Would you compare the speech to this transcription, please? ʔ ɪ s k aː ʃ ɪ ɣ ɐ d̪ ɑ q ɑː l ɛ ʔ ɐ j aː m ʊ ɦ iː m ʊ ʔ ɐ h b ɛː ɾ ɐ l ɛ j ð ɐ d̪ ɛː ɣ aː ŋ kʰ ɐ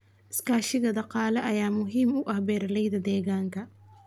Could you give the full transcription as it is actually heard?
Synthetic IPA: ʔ ɪ s k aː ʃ ɪ ɣ ɐ d̪ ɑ q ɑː l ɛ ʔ ɐ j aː m ʊ ɦ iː m ʊ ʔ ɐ h b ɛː ɾ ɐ l ɛ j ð ɐ d̪ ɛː ɣ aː ŋ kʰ ɐ